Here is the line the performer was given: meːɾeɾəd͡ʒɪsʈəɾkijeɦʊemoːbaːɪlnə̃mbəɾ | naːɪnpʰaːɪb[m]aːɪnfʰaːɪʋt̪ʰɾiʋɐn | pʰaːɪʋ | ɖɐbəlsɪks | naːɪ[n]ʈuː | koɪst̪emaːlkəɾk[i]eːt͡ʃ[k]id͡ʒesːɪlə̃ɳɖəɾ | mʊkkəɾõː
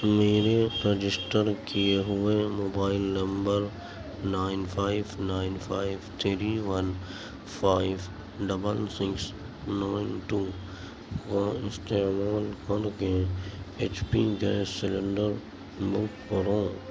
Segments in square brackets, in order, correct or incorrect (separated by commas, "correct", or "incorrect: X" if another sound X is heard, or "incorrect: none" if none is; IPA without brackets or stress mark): incorrect: n, correct, incorrect: e, incorrect: p